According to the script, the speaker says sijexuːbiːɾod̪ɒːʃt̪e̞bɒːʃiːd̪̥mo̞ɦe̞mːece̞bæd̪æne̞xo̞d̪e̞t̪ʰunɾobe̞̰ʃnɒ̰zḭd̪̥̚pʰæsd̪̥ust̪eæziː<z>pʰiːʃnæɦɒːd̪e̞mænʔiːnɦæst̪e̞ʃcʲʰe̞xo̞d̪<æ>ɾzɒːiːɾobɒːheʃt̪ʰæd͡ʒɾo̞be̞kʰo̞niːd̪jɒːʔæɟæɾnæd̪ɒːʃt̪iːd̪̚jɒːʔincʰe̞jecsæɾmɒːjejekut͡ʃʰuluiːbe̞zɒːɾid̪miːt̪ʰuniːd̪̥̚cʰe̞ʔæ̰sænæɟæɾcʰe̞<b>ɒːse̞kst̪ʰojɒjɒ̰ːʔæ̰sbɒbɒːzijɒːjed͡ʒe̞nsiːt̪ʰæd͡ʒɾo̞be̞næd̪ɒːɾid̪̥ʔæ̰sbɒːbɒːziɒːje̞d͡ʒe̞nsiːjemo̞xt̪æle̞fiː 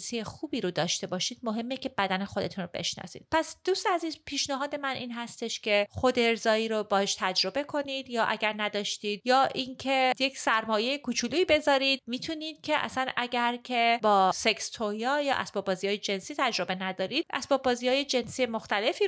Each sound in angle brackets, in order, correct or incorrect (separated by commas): correct, incorrect, correct